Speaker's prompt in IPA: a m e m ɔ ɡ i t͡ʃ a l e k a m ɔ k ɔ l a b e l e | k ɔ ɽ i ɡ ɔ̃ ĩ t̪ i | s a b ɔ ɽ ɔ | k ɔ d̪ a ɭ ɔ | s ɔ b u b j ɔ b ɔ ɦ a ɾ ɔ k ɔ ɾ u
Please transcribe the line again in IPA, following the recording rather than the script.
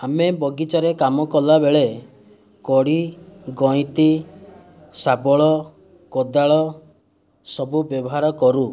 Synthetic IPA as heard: a m e b ɔ ɡ i t͡ʃ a ɾ e k a m ɔ k ɔ l a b e ɭ e | k ɔ ɽ i ɡ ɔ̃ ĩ t̪ i | s a b ɔ ɭ ɔ | k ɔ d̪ a ɭ ɔ | s ɔ b u b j ɔ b ɔ ɦ a ɾ ɔ k ɔ ɾ u